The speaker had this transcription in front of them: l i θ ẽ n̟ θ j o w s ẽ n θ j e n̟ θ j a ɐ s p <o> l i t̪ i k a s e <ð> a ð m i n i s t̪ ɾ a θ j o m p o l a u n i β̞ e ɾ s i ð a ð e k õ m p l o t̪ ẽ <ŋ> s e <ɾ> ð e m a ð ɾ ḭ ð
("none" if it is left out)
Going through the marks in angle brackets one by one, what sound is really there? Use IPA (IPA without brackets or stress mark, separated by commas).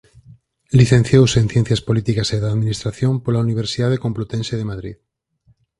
o, ð, n, none